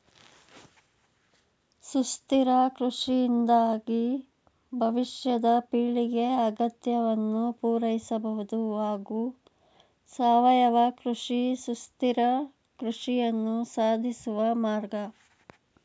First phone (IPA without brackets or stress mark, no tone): s